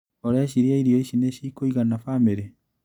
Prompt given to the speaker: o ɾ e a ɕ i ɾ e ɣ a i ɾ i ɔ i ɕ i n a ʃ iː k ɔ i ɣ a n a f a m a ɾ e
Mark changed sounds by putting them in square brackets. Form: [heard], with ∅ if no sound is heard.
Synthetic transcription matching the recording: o ɾ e a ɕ i ɾ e [∅] a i ɾ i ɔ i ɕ i n [e] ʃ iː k [o] i ɣ a n a f a m [e] ɾ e

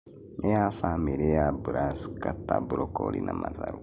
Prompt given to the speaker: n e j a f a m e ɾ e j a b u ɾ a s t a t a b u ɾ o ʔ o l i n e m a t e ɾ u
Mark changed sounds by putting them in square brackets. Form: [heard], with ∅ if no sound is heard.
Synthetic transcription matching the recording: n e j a f a m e ɾ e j a b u ɾ a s [k] a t a b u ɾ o [k] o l i n [a] m a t [a] ɾ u

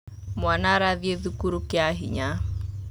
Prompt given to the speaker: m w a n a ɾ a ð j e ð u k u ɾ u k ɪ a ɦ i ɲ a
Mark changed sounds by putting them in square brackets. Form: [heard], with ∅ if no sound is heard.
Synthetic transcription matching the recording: m w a n a ɾ a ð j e ð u k u ɾ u k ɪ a ɦ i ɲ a

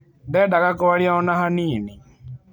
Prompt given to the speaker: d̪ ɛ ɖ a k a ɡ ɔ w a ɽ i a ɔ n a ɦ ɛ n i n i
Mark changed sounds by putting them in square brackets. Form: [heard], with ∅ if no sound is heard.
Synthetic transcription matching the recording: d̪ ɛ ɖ a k a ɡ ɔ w a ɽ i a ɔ n a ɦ [a] n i n i

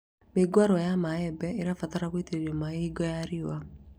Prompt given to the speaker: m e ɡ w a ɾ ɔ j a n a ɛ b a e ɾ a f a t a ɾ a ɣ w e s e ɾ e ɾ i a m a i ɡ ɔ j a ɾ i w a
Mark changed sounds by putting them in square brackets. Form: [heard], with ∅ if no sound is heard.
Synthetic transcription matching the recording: m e ɡ w a ɾ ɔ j a [m] a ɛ b [ɛ] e ɾ a f a t a ɾ a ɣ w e [t] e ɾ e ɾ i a m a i ɡ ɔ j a ɾ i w a

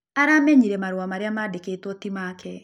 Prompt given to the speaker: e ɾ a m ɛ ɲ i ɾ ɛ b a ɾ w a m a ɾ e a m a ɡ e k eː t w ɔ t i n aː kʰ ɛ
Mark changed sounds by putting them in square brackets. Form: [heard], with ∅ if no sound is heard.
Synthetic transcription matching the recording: [a] ɾ a m ɛ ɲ i ɾ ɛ [m] a ɾ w a m a ɾ e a m a [d] e k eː t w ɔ t i [m] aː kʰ ɛ

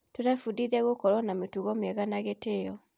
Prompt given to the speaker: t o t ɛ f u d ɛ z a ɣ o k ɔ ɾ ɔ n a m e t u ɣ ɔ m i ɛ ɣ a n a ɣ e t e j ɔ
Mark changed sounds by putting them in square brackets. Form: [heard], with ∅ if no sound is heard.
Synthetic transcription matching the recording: t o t [a] f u d [i] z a ɣ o k ɔ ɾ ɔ n a m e t u ɣ ɔ m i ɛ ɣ a n a ɣ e t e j ɔ

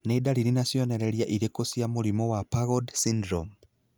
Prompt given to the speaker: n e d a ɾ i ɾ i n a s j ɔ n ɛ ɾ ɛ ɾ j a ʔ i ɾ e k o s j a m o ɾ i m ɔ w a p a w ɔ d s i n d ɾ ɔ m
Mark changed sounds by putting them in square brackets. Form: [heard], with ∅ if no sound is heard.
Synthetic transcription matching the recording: n e d a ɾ i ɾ i n a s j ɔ n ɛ ɾ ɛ ɾ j a ʔ i ɾ e k o s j a m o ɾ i m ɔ w a p a [ɣ] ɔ d s i n d ɾ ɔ m

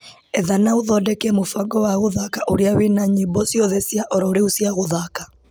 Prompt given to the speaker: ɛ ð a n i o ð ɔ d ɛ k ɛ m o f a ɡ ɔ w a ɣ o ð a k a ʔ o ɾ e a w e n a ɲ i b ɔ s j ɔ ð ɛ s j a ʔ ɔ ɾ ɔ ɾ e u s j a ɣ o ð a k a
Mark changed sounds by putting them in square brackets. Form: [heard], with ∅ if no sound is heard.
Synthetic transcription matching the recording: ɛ ð a n [a] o ð ɔ d ɛ k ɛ m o f a ɡ ɔ w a ɣ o ð a k a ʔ o ɾ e a w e n a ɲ i b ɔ s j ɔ ð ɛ s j a ʔ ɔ ɾ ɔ ɾ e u s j a ɣ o ð a k a

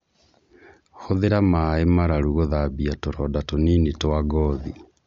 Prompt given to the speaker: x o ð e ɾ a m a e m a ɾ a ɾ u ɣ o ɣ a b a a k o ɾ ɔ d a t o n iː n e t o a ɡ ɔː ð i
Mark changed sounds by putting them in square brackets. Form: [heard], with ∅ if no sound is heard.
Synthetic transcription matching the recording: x o ð e ɾ a m a e m a ɾ a ɾ u ɣ o [ð] a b [i] a [t] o ɾ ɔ d a t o n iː n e t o a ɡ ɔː ð i

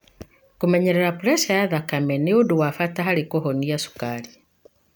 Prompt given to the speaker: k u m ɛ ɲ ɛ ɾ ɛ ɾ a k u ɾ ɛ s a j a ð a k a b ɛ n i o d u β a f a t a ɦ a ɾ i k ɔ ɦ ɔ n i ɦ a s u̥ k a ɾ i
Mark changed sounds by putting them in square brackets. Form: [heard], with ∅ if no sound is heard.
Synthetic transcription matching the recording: k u m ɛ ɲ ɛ ɾ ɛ ɾ a [p] u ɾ ɛ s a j a ð a k a [m] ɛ n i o d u [w] a f a t a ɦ a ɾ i k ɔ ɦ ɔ n i [∅] a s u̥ k a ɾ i

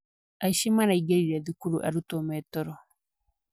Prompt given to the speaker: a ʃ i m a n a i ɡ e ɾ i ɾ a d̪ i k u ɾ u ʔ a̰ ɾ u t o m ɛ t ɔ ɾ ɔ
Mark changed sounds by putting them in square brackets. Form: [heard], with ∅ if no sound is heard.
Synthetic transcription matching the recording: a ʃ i m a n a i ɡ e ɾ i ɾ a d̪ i k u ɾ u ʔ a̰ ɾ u t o m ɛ t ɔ ɾ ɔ

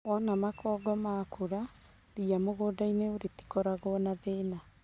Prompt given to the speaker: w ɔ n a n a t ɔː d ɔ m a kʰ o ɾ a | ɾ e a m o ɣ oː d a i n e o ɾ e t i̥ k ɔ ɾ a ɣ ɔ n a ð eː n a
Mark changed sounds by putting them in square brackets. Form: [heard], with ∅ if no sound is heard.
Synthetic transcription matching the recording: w ɔ n a [m] a [k] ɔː [ɡ] ɔ m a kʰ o ɾ a | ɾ [i] a m o ɣ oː d a i n e o ɾ e t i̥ k ɔ ɾ a ɣ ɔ n a ð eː n a

